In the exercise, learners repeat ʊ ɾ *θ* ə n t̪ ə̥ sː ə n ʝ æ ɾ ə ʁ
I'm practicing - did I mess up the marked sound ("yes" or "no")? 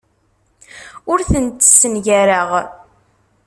no